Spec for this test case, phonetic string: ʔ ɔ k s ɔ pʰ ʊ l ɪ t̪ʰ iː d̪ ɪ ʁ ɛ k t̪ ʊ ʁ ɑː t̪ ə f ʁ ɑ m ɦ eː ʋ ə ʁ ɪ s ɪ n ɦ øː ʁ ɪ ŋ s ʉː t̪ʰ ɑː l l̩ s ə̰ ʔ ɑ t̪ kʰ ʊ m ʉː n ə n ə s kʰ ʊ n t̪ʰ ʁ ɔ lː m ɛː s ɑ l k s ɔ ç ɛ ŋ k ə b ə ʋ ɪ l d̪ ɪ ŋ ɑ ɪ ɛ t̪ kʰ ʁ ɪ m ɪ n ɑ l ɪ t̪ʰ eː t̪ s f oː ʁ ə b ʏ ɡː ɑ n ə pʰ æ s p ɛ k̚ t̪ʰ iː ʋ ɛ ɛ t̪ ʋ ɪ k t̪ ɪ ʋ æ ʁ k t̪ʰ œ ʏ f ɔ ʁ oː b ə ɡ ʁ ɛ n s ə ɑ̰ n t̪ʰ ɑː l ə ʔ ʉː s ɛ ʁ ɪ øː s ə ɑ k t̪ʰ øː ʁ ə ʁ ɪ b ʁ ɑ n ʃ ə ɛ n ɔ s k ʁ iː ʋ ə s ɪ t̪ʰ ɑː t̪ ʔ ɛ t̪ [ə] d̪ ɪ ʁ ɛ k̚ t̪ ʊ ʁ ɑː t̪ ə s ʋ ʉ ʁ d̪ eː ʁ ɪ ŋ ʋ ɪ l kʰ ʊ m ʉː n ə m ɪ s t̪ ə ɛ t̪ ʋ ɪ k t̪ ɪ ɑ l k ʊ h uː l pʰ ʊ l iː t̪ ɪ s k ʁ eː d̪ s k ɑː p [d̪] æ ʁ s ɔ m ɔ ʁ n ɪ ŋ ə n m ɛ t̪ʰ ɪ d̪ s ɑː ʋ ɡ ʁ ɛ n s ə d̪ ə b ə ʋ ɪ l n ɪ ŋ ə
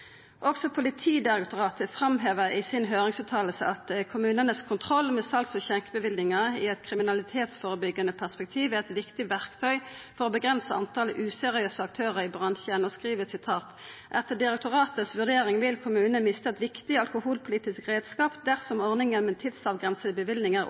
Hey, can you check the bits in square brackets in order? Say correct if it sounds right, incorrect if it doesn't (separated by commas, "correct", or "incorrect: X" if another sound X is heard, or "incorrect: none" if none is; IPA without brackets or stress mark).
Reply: correct, correct